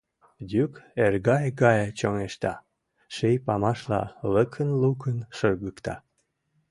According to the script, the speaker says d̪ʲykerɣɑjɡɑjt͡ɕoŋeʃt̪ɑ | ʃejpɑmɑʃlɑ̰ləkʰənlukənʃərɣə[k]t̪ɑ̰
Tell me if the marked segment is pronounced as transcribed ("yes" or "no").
yes